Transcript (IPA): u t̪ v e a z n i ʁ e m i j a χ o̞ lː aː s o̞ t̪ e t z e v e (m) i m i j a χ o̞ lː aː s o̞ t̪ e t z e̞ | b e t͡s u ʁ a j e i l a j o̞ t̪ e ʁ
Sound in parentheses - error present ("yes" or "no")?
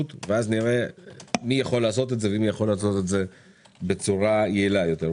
yes